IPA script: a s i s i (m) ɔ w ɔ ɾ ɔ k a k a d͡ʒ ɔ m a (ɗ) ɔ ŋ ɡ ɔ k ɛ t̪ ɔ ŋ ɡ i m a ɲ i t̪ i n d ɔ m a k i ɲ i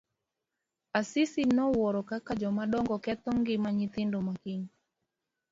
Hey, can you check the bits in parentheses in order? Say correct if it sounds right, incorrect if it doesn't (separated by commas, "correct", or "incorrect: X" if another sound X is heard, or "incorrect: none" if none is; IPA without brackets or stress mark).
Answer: incorrect: n, correct